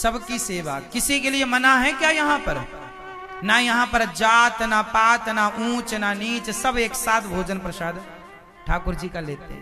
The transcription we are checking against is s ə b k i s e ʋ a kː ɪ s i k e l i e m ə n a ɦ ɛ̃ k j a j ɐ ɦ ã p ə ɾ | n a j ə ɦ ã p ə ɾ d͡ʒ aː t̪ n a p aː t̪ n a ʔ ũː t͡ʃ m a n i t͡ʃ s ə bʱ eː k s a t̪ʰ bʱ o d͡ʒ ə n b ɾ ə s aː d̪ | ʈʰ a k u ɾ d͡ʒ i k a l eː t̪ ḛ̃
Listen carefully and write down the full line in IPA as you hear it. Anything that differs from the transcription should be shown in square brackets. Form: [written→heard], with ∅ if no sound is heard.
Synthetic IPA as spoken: s ə b k i s e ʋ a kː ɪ s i k e l i e m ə n a ɦ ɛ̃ k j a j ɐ ɦ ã p ə ɾ | n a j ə ɦ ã p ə ɾ d͡ʒ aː t̪ n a p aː t̪ n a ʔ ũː t͡ʃ [m→n] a n i t͡ʃ s ə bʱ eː k s a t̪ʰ bʱ o d͡ʒ ə n [b→p] ɾ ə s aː d̪ | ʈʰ a k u ɾ d͡ʒ i k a l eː t̪ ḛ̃